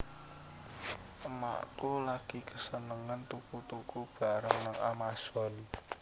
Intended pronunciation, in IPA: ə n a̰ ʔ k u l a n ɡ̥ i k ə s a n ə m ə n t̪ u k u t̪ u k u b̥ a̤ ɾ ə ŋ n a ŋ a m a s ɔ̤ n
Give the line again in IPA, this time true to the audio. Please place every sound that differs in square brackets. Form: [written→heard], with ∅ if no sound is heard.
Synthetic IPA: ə [n→m] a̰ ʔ k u l a [n→∅] ɡ̥ i k ə s [a→ə] n ə [m→ŋ] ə n t̪ u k u t̪ u k u b̥ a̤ ɾ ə ŋ n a ŋ a m a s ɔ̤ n